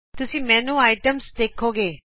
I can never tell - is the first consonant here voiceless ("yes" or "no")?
yes